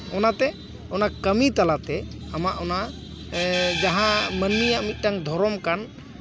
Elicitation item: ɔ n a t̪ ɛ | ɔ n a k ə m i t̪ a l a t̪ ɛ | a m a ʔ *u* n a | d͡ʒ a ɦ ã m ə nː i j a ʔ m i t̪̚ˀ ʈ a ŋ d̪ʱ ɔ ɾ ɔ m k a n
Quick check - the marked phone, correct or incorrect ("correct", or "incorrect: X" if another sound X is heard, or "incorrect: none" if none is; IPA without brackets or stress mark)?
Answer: incorrect: ɔ